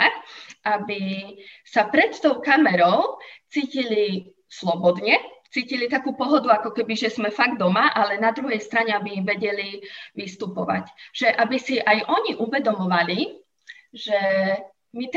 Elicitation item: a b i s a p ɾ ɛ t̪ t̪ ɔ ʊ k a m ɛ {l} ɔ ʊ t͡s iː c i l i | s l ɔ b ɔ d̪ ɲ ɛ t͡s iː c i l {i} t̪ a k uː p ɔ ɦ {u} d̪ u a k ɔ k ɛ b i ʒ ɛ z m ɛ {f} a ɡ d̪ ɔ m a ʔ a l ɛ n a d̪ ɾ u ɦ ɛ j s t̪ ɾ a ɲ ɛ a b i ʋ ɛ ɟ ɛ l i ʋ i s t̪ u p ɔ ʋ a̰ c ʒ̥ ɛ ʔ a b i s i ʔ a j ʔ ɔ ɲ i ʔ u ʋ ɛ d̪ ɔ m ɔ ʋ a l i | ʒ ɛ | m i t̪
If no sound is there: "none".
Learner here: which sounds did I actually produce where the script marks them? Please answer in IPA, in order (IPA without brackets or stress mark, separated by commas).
ɾ, i, ɔ, f